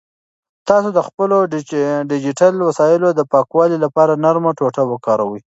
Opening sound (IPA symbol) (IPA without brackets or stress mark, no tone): t̪